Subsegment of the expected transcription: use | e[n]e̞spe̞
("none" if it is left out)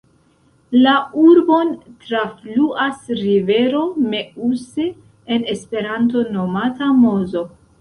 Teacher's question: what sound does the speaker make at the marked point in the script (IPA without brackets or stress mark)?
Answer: n